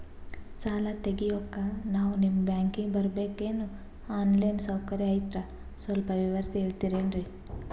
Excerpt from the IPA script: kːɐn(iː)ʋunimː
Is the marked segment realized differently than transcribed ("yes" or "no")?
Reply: yes